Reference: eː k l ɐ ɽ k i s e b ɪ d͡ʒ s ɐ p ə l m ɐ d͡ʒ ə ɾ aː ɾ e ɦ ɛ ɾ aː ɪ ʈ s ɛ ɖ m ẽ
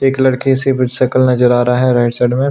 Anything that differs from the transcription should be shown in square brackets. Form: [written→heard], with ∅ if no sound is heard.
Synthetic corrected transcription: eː k l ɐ ɽ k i s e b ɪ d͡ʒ s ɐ [p→k] ə l [m→n] ɐ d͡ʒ ə ɾ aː ɾ [e→a] ɦ ɛ ɾ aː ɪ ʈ s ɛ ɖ m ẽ